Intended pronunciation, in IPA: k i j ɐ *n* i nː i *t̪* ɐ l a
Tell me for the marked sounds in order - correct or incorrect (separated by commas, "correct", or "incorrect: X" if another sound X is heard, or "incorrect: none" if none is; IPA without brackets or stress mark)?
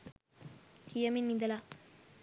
incorrect: m, incorrect: d̪